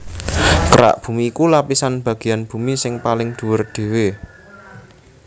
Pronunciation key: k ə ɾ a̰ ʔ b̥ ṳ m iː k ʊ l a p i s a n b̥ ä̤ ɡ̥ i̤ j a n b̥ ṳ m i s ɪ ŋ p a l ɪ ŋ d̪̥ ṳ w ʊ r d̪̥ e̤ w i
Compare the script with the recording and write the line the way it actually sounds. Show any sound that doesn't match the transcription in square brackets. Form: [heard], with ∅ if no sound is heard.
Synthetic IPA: k ə ɾ a̰ ʔ b̥ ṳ m iː k [u] l a p i s a n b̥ ä̤ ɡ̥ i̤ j a n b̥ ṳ m i s ɪ ŋ p a l ɪ ŋ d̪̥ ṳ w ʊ r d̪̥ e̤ w [e]